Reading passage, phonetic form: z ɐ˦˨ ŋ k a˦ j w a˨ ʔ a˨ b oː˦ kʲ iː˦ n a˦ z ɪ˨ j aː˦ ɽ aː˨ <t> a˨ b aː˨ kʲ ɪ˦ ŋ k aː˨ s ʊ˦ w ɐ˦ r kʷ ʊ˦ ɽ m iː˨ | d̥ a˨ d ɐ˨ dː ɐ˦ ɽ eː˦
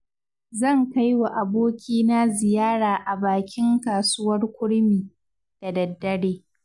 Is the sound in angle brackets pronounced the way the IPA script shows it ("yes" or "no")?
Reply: no